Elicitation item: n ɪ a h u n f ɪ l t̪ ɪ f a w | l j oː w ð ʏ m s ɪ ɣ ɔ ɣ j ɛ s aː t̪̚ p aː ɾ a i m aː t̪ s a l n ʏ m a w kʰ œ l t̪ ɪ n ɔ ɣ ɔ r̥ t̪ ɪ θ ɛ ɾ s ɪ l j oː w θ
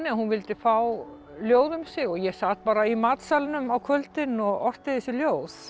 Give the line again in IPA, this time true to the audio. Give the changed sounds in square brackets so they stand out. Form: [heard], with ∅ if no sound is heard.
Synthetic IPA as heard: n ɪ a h u n [v] ɪ l t̪ ɪ f a w | l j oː w ð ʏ m s ɪ ɣ ɔ ɣ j ɛ s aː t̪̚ p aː ɾ a i m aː t̪ s a l n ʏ m a w kʰ œ l t̪ ɪ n ɔ ɣ ɔ r̥ t̪ ɪ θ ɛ [∅] s ɪ l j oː w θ